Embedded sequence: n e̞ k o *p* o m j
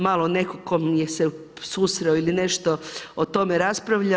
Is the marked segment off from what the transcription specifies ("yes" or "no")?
yes